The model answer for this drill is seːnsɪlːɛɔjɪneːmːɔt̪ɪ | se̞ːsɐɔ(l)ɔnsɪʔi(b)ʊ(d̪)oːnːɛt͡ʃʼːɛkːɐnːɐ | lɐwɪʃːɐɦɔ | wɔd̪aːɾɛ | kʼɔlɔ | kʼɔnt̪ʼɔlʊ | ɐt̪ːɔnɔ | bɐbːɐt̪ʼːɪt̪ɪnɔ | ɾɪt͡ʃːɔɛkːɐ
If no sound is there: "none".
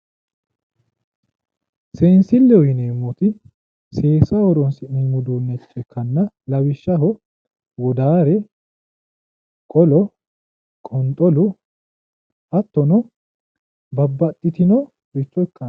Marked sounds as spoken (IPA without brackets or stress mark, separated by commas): ɾ, m, d̪